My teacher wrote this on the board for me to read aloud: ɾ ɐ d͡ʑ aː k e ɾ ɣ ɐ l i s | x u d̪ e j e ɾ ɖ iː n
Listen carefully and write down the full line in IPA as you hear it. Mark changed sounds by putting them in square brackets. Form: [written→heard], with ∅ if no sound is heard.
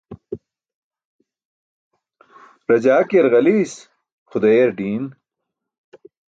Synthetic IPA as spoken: ɾ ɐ d͡ʑ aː k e ɾ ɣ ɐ l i s | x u d̪ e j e ɾ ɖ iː n

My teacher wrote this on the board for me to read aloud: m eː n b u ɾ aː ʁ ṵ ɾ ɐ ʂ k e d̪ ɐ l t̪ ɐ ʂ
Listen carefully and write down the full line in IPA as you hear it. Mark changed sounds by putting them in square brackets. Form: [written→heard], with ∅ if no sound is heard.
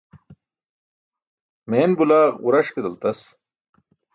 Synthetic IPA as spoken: m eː n b u [ɾ→l] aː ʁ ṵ ɾ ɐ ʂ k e d̪ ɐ l t̪ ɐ [ʂ→s]

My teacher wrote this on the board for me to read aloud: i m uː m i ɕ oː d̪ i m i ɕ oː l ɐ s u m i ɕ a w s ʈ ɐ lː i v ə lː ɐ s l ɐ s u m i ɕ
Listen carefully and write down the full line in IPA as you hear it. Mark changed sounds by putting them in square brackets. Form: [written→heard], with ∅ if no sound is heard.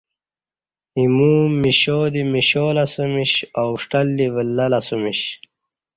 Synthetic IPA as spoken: i m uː m i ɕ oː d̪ i m i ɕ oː l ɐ s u m i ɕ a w [s→ʂ] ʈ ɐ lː i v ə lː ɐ [s→∅] l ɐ s u m i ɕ

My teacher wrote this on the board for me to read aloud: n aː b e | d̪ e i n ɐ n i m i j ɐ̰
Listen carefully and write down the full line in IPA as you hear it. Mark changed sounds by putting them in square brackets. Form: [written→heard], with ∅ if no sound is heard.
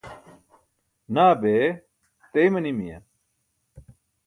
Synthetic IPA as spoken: n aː b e | [d̪→t̪] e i [n→m] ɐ n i m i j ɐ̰

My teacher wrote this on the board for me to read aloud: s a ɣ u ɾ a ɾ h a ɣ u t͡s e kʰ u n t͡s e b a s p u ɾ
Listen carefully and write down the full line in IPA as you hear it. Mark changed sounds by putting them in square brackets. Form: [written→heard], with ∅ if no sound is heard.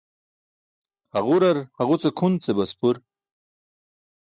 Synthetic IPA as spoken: [s→h] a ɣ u ɾ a ɾ h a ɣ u t͡s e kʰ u n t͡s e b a s p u ɾ

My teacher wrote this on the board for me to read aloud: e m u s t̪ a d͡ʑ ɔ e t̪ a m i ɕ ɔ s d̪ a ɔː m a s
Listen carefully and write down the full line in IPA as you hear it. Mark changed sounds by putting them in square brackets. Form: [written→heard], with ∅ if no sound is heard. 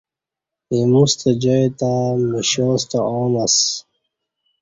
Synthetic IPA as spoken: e m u s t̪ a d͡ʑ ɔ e t̪ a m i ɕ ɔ s [d̪→t̪] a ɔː [m→n] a s

